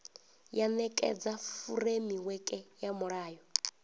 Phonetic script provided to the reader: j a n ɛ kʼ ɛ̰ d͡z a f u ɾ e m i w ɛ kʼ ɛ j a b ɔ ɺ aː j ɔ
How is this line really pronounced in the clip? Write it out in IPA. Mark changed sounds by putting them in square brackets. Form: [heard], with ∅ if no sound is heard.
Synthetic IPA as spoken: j a n ɛ kʼ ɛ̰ d͡z a f u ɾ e m i w ɛ kʼ ɛ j a [m] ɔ ɺ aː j ɔ